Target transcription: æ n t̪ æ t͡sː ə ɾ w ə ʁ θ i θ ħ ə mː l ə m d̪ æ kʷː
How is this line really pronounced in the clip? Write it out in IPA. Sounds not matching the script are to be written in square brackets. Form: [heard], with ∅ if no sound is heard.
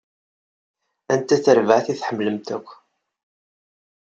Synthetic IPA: æ n t̪ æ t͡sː ə ɾ [v] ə [ʕ] θ i θ ħ ə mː l ə m [t̪] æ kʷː